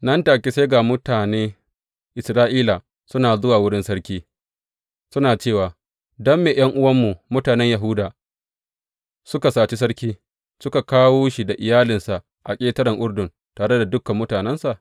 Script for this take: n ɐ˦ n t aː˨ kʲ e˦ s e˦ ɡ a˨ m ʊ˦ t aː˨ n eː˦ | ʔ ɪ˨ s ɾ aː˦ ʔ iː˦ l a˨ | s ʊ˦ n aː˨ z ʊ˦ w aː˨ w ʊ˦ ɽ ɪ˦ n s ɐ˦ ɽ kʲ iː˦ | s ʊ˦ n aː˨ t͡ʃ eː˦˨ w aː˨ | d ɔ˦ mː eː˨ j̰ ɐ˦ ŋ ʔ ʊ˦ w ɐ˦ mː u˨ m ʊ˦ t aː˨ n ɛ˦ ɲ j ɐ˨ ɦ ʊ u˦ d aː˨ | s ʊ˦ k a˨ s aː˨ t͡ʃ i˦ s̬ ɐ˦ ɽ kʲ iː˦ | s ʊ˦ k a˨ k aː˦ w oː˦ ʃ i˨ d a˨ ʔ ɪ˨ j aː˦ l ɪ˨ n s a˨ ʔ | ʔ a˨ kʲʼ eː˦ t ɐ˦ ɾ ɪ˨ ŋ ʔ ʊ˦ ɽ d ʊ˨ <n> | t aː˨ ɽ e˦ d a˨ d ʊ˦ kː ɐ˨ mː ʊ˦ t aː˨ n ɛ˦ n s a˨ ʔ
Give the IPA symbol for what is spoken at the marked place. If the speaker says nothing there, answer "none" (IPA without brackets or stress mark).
n